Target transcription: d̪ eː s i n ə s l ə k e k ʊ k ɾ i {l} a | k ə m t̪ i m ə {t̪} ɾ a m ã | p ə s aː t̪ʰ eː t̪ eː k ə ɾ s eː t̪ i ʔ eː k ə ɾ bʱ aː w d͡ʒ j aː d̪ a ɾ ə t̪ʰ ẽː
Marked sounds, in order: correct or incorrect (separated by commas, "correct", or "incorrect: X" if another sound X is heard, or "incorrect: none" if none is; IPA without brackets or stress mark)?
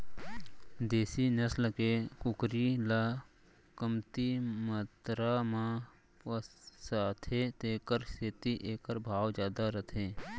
correct, correct